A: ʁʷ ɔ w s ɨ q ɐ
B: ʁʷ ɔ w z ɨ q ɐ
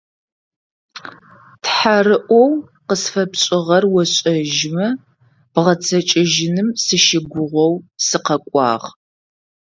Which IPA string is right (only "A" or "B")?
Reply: A